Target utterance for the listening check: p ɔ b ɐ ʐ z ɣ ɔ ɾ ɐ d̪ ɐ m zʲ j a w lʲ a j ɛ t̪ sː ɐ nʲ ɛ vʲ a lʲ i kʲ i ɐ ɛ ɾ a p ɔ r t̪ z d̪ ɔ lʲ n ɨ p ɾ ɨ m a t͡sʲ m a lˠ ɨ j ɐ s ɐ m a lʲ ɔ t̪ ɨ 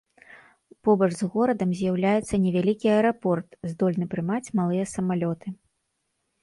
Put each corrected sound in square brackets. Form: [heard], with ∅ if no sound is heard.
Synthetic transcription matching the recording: p ɔ b ɐ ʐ z ɣ ɔ ɾ ɐ d̪ ɐ m zʲ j a w lʲ a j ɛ t̪ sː ɐ nʲ ɛ vʲ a lʲ i kʲ i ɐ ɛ ɾ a p ɔ r t̪ z d̪ ɔ lʲ n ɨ p ɾ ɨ m a t͡sʲ m a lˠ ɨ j ɐ s ɐ m a lʲ ɔ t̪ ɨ

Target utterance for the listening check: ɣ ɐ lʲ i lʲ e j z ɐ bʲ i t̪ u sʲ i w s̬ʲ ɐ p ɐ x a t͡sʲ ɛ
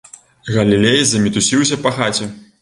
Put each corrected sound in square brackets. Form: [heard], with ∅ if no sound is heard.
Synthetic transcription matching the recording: ɣ ɐ lʲ i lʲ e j z ɐ [mʲ] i t̪ u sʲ i w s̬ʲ ɐ p ɐ x a t͡sʲ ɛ

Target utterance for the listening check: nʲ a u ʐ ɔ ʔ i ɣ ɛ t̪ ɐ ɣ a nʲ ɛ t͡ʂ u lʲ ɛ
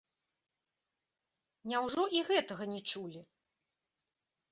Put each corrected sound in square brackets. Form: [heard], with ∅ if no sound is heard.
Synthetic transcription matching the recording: nʲ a [w] ʐ ɔ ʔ i ɣ ɛ t̪ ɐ ɣ [ɐ] nʲ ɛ t͡ʂ u lʲ [i]

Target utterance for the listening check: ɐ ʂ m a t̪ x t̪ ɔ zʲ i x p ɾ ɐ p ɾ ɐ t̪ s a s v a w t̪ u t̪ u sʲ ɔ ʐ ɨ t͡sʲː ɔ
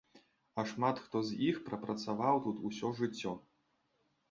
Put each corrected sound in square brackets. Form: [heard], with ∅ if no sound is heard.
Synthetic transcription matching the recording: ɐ ʂ m a t̪ x t̪ ɔ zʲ i x p ɾ ɐ p ɾ ɐ t̪ s a [∅] v a w t̪ u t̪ u sʲ ɔ ʐ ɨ t͡sʲː ɔ

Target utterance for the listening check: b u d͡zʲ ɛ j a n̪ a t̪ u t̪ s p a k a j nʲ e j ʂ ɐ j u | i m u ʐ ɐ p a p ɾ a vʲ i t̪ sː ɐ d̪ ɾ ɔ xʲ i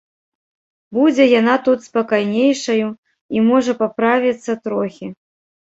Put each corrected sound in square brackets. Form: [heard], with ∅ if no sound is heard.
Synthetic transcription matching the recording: b u d͡zʲ ɛ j a n̪ a t̪ u t̪ s p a k a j nʲ e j ʂ ɐ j u | i m [ɔ] ʐ ɐ p a p ɾ a vʲ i t̪ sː ɐ [t̪] ɾ ɔ xʲ i

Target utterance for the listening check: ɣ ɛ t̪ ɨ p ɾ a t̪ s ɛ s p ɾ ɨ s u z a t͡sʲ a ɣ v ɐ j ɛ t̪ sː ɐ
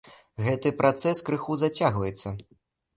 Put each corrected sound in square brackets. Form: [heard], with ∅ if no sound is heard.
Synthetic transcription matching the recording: ɣ ɛ t̪ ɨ p ɾ a t̪ s ɛ s [k] ɾ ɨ [x] u z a t͡sʲ a ɣ v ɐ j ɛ t̪ sː ɐ

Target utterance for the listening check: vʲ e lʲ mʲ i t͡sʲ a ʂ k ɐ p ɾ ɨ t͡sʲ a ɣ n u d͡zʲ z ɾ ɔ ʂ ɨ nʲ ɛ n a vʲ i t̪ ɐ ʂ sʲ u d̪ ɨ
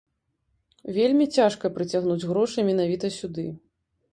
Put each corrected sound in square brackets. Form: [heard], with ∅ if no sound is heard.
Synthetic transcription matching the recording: vʲ e lʲ mʲ i t͡sʲ a ʂ k ɐ p ɾ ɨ t͡sʲ a ɣ n u d͡zʲ [ɣ] ɾ ɔ ʂ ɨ [mʲ] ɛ n a vʲ i t̪ ɐ [∅] sʲ u d̪ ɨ

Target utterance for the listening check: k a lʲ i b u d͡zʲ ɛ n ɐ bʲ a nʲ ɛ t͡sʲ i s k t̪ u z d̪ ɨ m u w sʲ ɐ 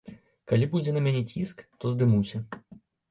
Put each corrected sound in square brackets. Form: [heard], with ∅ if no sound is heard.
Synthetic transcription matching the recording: k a lʲ i b u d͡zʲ ɛ n ɐ [mʲ] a nʲ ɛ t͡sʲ i s k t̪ [ɔ] z d̪ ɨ m u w sʲ ɐ

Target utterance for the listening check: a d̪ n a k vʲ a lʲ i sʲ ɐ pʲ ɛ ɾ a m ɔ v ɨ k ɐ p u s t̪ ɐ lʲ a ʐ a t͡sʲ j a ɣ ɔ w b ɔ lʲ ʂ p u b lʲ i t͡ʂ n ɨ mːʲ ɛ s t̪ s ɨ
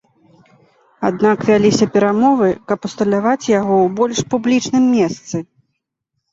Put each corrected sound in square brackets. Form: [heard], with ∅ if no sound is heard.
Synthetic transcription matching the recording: a d̪ n a k vʲ a lʲ i sʲ ɐ pʲ ɛ ɾ a m ɔ v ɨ k ɐ p u s t̪ ɐ lʲ a [v] a t͡sʲ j a ɣ ɔ w b ɔ lʲ ʂ p u b lʲ i t͡ʂ n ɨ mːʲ ɛ s t̪ s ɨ

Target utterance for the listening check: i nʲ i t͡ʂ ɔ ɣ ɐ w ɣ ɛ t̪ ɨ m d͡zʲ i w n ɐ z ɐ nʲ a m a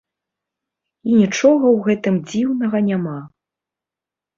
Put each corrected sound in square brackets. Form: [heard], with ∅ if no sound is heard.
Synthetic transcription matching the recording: i nʲ i t͡ʂ ɔ ɣ ɐ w ɣ ɛ t̪ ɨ m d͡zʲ i w n ɐ [ɣ] ɐ nʲ a m a

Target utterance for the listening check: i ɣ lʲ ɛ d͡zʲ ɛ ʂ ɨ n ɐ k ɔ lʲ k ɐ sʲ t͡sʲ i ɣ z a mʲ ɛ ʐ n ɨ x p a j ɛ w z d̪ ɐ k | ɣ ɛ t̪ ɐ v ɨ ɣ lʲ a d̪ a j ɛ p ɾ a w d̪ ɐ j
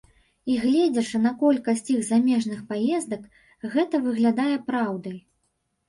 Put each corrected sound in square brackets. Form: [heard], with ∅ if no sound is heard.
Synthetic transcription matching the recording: i ɣ lʲ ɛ d͡zʲ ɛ ʂ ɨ n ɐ k ɔ lʲ k ɐ sʲ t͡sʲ i ɣ z a mʲ ɛ ʐ n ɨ x p a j ɛ [∅] z d̪ ɐ k | ɣ ɛ t̪ ɐ v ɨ ɣ lʲ a d̪ a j ɛ p ɾ a w d̪ ɐ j

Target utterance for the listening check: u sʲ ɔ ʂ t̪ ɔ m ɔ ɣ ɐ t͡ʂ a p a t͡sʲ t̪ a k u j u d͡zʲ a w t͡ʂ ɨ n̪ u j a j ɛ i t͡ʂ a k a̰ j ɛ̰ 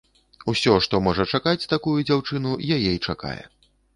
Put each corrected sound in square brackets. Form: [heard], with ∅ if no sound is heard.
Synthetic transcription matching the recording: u sʲ ɔ ʂ t̪ ɔ m ɔ [ʐ] ɐ t͡ʂ a [k] a t͡sʲ t̪ a k u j u d͡zʲ a w t͡ʂ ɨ n̪ u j a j ɛ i t͡ʂ a k a̰ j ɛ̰

